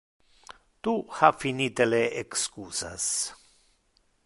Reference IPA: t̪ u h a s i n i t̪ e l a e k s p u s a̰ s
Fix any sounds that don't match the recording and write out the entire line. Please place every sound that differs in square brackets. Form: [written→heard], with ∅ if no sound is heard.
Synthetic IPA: t̪ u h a [s→f] i n i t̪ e l [a→e] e k s [p→k] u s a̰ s